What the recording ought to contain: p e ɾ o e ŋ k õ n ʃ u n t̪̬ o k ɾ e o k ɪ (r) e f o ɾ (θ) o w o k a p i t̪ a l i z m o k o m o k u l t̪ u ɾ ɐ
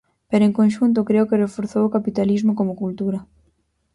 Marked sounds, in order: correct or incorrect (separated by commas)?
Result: correct, correct